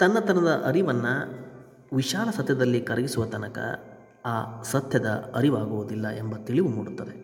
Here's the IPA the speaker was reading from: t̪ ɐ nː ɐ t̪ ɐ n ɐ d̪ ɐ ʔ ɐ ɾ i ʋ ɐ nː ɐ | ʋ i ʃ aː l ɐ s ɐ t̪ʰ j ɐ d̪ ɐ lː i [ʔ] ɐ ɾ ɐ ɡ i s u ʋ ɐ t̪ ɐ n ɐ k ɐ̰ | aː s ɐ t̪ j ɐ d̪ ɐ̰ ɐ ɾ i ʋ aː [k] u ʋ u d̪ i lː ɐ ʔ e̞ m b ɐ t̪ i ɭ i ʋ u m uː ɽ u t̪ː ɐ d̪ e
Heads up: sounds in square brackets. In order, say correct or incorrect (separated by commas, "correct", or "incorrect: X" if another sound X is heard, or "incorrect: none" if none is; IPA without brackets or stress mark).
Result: incorrect: k, incorrect: ɡ